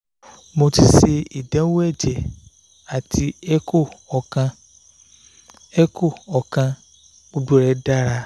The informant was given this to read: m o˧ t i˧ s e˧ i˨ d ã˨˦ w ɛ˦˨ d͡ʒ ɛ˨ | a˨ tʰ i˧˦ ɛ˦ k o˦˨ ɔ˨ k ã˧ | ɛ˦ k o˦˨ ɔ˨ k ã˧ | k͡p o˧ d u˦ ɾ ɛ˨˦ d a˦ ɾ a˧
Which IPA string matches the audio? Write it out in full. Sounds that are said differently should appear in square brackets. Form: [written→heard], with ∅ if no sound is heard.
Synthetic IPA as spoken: m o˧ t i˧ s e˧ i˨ d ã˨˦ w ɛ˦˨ d͡ʒ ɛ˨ | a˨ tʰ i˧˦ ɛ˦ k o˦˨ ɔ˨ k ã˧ | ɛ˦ k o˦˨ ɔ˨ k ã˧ | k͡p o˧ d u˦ ɾ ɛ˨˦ d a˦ ɾ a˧